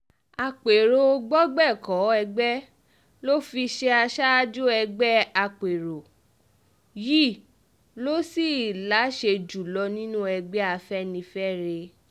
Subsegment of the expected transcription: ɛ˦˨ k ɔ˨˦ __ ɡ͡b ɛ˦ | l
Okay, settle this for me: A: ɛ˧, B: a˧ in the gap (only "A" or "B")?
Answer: A